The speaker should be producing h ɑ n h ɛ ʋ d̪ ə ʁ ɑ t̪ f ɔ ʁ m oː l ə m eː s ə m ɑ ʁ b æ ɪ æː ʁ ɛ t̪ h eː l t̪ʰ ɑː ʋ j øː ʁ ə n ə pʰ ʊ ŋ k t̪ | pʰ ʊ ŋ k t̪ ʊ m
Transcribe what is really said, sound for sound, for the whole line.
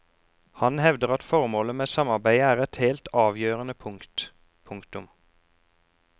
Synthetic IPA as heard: h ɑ n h ɛ ʋ d̪ ə ʁ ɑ t̪ f ɔ ʁ m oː l ə m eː s ɑ m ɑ ʁ b æ ɪ æː ʁ ɛ t̪ h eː l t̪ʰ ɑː ʋ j øː ʁ ə n ə pʰ ʊ ŋ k t̪ | pʰ ʊ ŋ k t̪ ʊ m